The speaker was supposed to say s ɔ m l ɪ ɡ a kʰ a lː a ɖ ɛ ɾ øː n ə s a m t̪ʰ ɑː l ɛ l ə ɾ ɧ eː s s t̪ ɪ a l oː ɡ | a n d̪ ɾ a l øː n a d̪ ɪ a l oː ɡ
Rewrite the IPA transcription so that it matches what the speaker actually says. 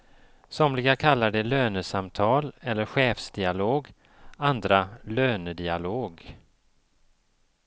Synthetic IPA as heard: s ɔ m l ɪ ɡ a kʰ a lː a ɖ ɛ l øː n ə s a m t̪ʰ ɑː l ɛ lː ə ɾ ɧ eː f s d̪ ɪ a l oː ɡ | a n d̪ ɾ a l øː n ə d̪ ɪ a l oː ɡ